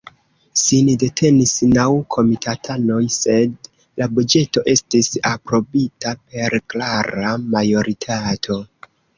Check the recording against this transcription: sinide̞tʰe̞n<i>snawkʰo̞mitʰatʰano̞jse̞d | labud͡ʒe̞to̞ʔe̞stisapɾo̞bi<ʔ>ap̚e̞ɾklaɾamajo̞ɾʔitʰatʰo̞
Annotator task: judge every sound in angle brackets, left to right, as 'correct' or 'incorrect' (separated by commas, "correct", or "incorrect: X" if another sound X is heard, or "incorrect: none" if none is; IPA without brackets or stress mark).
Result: correct, incorrect: t